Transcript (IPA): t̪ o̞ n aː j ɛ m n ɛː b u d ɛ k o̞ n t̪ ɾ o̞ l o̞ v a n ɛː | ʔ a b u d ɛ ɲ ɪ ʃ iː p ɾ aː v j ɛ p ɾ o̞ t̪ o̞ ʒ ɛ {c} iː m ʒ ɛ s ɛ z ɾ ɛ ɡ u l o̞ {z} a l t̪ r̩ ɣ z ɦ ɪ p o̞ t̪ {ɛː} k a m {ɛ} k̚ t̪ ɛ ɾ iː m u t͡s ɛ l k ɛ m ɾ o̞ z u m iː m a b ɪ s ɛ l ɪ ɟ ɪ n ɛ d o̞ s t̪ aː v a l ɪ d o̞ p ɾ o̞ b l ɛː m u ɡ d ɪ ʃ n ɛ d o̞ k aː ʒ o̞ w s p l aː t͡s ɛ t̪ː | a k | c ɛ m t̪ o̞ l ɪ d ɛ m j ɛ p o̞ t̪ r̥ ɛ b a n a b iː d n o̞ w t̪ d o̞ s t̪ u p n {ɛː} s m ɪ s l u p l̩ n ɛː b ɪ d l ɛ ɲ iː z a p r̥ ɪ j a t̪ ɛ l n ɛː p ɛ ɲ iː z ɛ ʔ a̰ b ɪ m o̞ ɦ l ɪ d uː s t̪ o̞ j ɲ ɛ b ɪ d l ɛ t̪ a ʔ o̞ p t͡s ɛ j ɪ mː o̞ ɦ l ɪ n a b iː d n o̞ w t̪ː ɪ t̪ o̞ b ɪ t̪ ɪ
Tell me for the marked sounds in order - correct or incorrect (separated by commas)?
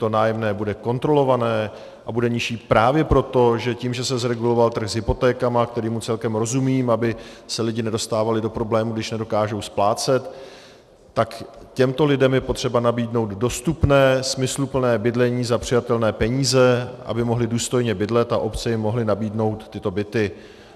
correct, incorrect, correct, incorrect, correct